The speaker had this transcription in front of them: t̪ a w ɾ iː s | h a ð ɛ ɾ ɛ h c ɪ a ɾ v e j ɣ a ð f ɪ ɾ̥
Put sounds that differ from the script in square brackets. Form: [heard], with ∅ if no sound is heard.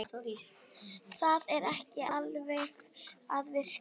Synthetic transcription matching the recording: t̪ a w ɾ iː s | [θ] a ð ɛ ɾ ɛ h c ɪ a [l] v e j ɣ a ð [v] ɪ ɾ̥